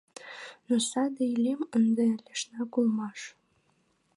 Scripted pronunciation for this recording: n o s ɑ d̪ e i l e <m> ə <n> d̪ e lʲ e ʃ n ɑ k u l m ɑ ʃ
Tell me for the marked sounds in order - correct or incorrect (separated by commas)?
correct, correct